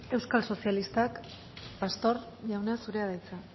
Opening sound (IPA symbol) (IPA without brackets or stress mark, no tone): e̞